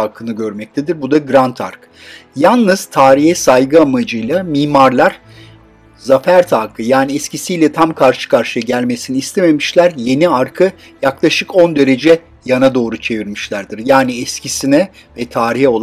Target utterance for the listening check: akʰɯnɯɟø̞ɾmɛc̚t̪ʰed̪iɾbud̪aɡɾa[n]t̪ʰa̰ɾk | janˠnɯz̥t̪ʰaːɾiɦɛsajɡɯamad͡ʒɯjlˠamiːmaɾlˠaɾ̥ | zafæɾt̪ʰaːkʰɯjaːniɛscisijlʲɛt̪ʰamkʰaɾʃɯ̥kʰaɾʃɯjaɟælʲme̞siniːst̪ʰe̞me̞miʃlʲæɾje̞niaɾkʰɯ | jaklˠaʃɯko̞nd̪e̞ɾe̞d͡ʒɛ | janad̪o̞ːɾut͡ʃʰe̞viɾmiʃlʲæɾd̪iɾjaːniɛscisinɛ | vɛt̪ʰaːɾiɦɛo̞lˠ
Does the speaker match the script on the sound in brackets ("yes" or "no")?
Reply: yes